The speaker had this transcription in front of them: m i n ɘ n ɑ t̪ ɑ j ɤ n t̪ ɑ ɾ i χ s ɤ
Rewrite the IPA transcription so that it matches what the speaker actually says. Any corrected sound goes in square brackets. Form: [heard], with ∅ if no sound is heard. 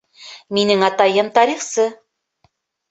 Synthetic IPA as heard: m i n ɘ [ŋ] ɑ t̪ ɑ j ɤ [m] t̪ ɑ ɾ i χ s ɤ